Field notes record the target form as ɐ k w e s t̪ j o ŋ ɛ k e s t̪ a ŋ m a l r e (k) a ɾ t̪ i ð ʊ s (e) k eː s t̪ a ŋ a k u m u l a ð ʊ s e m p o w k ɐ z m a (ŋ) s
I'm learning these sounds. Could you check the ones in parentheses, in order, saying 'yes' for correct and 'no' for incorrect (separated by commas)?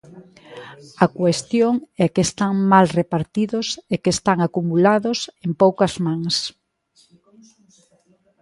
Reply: no, yes, yes